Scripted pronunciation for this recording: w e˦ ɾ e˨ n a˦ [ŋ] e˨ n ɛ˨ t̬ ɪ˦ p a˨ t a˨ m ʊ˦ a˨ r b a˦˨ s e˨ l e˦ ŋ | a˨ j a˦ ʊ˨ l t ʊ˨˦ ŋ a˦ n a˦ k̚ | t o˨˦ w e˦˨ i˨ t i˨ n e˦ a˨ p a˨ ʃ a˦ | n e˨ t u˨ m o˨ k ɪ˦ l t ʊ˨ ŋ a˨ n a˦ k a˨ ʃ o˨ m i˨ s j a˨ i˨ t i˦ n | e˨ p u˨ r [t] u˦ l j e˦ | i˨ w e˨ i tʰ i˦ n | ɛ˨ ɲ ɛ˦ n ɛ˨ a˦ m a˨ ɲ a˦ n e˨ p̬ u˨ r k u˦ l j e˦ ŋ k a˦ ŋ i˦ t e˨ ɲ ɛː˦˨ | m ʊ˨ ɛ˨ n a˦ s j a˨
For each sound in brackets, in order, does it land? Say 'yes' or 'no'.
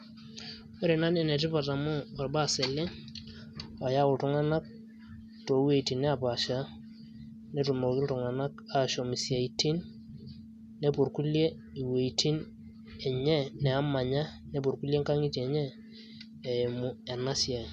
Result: no, no

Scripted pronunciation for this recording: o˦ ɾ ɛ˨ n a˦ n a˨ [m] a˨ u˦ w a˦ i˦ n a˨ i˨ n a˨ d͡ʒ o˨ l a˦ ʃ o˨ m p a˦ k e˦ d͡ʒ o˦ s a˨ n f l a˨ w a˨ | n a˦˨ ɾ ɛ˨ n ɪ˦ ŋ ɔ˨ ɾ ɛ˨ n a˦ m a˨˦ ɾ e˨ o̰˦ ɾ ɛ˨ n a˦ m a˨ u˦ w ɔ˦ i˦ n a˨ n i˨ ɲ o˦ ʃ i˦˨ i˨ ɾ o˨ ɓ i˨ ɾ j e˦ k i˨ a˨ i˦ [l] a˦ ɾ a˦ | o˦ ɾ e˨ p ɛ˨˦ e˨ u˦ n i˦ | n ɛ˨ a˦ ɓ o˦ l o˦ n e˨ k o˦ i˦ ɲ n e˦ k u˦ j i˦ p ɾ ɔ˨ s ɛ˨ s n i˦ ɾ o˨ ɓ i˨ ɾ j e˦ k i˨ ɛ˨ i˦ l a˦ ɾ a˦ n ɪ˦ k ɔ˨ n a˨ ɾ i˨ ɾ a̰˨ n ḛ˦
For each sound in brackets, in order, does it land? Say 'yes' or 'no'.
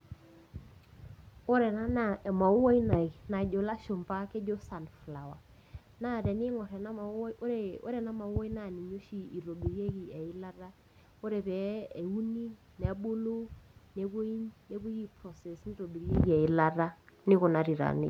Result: yes, yes

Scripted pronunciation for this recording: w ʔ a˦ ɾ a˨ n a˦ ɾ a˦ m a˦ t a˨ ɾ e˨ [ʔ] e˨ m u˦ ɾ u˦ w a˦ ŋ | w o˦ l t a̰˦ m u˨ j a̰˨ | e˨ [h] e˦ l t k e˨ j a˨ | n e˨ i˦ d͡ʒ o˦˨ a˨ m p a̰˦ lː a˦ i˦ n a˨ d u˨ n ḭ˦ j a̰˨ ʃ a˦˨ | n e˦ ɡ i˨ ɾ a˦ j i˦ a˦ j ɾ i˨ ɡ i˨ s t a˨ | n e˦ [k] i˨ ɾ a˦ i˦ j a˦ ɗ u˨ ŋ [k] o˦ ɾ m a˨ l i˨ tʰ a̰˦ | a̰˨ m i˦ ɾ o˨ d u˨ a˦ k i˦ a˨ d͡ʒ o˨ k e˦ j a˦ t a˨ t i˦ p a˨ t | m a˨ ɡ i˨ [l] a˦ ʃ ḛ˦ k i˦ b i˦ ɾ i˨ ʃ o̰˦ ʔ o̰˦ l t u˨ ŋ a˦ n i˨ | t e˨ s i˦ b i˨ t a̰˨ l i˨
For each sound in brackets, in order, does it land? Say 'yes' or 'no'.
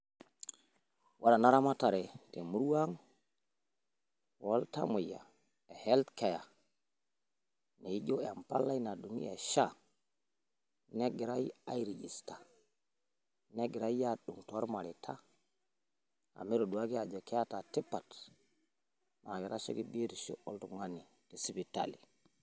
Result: no, yes, no, no, no

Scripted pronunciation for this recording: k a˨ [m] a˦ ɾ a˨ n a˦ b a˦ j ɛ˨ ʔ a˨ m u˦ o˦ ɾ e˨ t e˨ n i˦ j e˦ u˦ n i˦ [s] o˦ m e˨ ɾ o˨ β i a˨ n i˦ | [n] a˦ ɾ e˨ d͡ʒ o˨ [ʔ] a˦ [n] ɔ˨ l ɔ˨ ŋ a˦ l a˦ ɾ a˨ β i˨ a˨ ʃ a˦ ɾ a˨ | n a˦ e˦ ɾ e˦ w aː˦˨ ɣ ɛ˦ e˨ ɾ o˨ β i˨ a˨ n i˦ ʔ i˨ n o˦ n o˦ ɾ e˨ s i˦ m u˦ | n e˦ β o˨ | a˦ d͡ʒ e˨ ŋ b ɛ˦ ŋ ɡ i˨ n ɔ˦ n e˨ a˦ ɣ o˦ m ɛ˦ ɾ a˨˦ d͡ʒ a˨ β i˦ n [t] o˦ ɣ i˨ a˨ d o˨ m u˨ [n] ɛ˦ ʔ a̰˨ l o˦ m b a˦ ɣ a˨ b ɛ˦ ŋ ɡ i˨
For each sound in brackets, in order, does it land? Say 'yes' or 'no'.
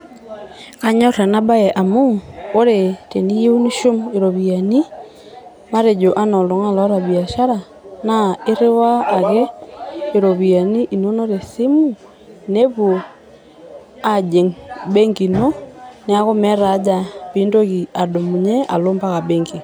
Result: no, no, no, yes, yes, no, no

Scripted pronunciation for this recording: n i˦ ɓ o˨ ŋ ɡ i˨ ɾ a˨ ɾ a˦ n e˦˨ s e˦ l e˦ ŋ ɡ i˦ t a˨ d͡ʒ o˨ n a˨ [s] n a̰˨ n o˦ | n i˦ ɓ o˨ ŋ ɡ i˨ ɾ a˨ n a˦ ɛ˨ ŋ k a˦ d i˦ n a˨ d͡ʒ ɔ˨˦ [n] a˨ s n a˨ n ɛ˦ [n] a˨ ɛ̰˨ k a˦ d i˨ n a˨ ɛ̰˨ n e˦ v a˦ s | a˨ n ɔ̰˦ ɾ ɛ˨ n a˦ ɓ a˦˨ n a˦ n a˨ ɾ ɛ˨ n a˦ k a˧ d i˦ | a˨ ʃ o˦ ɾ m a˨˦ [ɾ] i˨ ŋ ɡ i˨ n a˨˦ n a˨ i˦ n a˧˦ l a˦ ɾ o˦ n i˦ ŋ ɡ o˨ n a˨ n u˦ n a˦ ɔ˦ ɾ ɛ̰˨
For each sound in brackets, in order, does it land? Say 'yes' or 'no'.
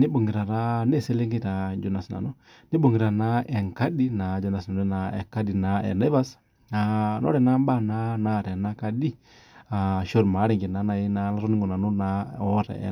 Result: yes, yes, yes, yes

